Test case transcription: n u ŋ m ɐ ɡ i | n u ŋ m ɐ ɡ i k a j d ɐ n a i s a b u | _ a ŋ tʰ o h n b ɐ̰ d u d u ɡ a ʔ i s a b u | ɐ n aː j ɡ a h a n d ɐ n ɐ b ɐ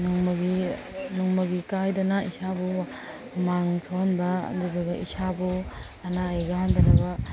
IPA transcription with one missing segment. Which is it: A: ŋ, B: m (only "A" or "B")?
B